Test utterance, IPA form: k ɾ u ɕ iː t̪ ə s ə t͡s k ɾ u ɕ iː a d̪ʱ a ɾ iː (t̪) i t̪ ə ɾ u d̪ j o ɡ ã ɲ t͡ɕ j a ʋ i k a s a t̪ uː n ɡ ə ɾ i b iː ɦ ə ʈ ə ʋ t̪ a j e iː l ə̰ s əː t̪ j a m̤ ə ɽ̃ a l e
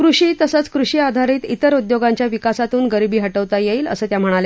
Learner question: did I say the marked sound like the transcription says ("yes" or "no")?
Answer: yes